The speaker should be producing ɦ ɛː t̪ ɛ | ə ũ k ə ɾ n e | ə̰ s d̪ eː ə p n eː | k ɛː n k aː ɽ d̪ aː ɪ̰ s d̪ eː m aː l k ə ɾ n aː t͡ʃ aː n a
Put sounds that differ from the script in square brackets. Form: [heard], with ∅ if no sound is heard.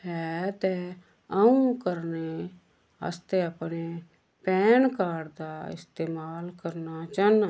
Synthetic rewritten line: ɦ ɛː t̪ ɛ | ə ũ k ə ɾ n e | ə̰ s [t̪] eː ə p n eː | [p] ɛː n k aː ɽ d̪ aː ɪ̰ s [t̪] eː m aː l k ə ɾ n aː t͡ʃ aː n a